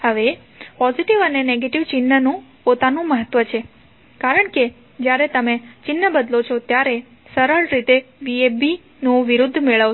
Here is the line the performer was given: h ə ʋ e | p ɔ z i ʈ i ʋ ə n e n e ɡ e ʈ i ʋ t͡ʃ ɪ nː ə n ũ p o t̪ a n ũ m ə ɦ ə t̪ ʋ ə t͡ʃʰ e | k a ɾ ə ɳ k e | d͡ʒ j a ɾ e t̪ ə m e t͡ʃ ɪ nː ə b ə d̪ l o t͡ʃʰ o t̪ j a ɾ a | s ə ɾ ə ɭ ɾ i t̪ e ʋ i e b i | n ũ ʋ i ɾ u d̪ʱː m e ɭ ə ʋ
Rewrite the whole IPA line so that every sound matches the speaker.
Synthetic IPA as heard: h ə ʋ e | p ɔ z i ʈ i ʋ ə n e n e ɡ e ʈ i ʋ t͡ʃ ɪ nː ə n ũ p o t̪ a n ũ m ə ɦ ə t̪ ʋ ə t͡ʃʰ e | k a ɾ ə ɳ k e | d͡ʒ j a ɾ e t̪ ə m e t͡ʃ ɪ nː ə b ə d̪ l o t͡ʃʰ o t̪ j a ɾ e | s ə ɾ ə ɭ ɾ i t̪ e ʋ i e b i | n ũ ʋ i ɾ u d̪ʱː m e ɭ ə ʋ